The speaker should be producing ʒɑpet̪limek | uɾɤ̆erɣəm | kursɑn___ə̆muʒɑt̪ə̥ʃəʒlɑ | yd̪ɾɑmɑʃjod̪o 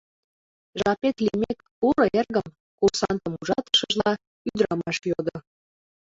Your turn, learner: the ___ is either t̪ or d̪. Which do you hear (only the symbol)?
t̪